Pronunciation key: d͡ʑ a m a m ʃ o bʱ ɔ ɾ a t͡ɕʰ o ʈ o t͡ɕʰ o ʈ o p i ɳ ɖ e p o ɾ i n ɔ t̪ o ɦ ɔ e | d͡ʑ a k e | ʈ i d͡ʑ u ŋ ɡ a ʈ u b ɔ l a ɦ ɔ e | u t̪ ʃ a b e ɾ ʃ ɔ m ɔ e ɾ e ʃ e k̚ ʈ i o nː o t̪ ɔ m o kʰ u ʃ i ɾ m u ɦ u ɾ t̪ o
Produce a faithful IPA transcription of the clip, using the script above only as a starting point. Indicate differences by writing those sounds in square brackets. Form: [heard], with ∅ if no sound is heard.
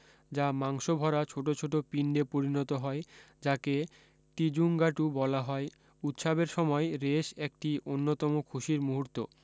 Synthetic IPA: d͡ʑ a m a [ŋ] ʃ o bʱ ɔ ɾ a t͡ɕʰ o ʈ o t͡ɕʰ o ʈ o p i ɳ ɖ e p o ɾ i n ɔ t̪ o ɦ ɔ e | d͡ʑ a k e | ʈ i d͡ʑ u ŋ ɡ a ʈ u b ɔ l a ɦ ɔ e | u t̪ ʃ a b e ɾ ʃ ɔ m ɔ e ɾ e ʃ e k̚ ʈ i o nː o t̪ ɔ m o kʰ u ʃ i ɾ m u ɦ u ɾ t̪ o